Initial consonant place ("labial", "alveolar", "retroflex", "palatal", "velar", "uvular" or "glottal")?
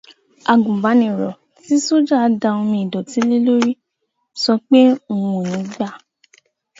velar